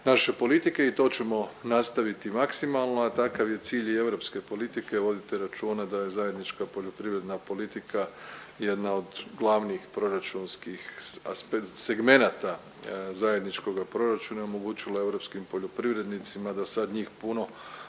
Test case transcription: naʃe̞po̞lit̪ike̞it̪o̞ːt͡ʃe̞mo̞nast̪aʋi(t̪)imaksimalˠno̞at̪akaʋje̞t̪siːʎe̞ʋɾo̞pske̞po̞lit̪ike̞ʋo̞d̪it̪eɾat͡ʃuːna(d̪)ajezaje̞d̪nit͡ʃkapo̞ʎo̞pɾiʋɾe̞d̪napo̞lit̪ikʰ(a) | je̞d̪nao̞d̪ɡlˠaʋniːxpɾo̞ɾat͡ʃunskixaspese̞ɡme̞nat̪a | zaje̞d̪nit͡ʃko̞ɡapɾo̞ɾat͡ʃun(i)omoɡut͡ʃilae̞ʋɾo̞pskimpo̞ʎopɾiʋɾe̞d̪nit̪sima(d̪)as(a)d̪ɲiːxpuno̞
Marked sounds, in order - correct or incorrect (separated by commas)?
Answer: correct, correct, correct, incorrect, correct, correct